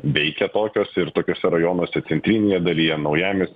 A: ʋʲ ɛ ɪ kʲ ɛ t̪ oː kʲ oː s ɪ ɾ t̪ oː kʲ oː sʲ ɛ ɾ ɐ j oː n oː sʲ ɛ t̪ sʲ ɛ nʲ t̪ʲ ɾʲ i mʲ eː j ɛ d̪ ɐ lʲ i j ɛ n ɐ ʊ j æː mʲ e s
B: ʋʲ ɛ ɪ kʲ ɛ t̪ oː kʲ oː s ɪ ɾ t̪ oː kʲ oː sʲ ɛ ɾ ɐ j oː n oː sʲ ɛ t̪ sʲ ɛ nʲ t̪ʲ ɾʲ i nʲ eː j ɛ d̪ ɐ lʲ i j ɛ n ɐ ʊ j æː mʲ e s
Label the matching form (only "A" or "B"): B